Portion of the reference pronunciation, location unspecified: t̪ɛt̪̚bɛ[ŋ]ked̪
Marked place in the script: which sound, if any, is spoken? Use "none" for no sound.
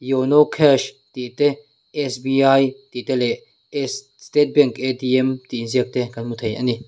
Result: ŋ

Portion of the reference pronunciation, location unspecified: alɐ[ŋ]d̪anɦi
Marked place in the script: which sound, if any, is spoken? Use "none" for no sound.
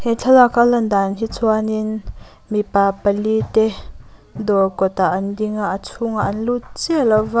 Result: n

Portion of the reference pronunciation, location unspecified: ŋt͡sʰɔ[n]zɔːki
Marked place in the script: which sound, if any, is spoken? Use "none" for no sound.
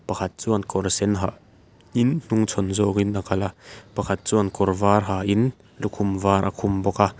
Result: n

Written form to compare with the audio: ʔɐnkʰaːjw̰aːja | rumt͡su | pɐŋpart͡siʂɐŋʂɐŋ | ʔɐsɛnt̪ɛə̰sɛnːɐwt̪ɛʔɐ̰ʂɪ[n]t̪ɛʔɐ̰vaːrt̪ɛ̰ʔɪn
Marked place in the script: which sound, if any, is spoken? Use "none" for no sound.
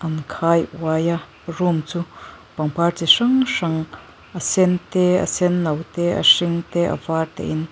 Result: ŋ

